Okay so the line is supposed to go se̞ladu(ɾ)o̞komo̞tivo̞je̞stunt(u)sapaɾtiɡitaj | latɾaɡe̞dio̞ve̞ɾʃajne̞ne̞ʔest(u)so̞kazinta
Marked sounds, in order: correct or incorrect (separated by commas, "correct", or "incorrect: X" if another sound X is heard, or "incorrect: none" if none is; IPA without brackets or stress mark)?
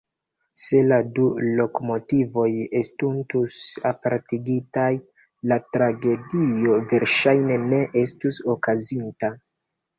incorrect: l, correct, correct